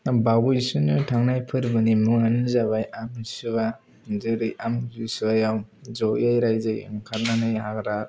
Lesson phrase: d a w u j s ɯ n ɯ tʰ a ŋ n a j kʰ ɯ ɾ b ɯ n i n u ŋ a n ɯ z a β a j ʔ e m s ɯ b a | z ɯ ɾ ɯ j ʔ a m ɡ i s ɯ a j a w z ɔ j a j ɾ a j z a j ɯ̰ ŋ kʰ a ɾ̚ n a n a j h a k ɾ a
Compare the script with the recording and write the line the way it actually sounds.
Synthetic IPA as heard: b a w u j s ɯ n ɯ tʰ a ŋ n a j pʰ ɯ ɾ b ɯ n i m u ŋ a n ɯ z a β a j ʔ a m s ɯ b a | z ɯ ɾ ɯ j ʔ a m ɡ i s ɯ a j a w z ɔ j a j ɾ a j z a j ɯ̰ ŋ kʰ a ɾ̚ n a n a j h a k ɾ a